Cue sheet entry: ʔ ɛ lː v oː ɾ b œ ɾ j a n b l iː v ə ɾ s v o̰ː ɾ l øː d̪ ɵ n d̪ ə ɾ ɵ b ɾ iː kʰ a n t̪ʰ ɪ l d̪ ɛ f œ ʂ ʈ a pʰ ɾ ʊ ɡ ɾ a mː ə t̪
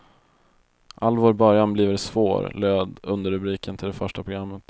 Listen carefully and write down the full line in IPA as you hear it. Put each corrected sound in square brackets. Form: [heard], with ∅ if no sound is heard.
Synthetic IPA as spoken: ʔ [a] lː v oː ɾ b œ ɾ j a n b l iː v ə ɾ s v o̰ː ɾ l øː d̪ ɵ n d̪ ə ɾ ɵ b ɾ iː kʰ [ə] n t̪ʰ ɪ l d̪ ɛ f œ ʂ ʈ a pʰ ɾ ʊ ɡ ɾ a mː ə t̪